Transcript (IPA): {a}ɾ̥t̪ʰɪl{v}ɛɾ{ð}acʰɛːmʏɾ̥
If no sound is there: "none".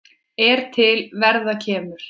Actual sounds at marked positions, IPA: ɛ, v, ð

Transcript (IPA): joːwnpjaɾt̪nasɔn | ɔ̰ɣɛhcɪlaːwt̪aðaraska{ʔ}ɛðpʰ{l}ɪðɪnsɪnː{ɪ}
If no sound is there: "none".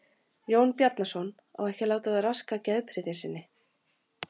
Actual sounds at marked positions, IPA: c, ɾ, ɪ

